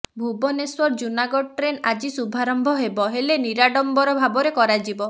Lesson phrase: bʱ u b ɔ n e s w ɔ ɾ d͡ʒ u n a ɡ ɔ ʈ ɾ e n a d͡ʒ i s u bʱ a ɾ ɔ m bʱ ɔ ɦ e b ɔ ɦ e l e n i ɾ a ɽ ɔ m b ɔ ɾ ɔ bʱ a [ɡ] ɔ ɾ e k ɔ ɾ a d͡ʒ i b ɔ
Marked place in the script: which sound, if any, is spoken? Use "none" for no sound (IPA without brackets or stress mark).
b